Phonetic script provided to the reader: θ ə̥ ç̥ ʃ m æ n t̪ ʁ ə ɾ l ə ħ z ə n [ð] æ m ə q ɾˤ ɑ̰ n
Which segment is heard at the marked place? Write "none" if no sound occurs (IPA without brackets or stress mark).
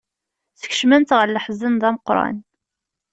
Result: ð